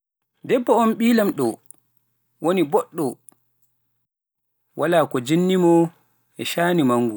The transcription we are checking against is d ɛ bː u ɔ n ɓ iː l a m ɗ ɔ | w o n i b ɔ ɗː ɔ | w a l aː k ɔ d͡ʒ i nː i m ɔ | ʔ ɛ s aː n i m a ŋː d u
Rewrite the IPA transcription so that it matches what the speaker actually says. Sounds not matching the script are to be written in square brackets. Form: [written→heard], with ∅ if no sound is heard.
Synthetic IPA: d ɛ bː [u→ɔ] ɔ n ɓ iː l a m ɗ ɔ | w o n i b ɔ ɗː ɔ | w a l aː k ɔ d͡ʒ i nː i m ɔ | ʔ ɛ [s→ʃ] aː n i m a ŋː [d→ɡ] u